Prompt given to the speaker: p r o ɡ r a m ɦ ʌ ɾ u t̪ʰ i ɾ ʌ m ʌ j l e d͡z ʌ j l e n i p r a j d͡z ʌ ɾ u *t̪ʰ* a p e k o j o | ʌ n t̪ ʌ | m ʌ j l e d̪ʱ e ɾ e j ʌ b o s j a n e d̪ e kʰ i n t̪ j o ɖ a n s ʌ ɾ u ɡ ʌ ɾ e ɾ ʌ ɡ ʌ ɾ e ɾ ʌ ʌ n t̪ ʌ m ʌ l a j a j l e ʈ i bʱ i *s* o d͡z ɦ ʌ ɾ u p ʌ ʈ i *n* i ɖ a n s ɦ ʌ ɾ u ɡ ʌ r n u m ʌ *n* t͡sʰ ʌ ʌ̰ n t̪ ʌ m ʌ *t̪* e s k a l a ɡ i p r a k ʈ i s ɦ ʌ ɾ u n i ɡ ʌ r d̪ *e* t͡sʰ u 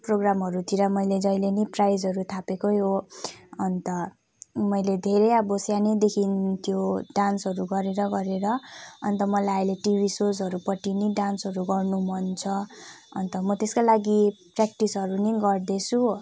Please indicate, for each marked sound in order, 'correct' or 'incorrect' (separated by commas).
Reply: correct, correct, correct, correct, correct, correct